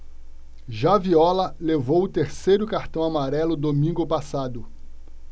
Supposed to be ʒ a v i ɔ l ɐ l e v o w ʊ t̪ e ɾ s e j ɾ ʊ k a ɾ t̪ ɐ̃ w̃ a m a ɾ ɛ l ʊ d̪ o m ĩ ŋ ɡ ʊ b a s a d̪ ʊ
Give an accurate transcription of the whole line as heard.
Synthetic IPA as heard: ʒ a v i ɔ l ɐ l e v o w ʊ t̪ e ɾ s e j ɾ ʊ k a ɾ t̪ ɐ̃ w̃ a m a ɾ ɛ l ʊ d̪ o m ĩ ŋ ɡ ʊ p a s a d̪ ʊ